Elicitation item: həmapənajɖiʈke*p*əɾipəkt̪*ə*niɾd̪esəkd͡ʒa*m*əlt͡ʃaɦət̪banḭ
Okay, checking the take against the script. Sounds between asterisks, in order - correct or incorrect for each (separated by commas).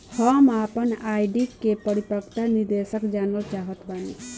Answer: correct, incorrect, incorrect